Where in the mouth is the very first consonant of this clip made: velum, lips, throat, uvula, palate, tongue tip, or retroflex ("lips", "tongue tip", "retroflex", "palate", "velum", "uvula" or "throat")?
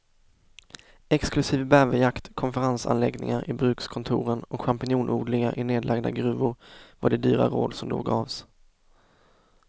velum